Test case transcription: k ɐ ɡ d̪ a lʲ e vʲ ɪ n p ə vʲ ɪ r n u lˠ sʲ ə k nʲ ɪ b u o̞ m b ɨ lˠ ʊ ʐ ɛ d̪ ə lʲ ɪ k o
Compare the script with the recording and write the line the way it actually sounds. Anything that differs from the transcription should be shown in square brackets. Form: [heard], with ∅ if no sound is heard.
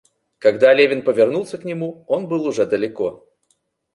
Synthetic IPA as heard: k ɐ ɡ d̪ a lʲ e vʲ ɪ n p ə vʲ ɪ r n u lˠ sʲ ə k nʲ ɪ [m] u o̞ [n] b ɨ lˠ ʊ ʐ ɛ d̪ ə lʲ ɪ k o

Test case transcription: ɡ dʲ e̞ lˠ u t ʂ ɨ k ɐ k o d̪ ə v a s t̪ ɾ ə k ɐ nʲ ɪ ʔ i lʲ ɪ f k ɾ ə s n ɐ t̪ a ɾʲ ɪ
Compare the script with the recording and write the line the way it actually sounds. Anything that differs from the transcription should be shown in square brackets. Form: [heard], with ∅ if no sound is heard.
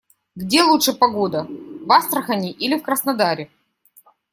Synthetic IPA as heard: ɡ dʲ e̞ lˠ u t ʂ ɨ [p] ɐ [ɡ] o d̪ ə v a s t̪ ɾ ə [x] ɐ nʲ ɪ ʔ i lʲ ɪ f k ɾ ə s n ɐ [d̪] a ɾʲ ɪ

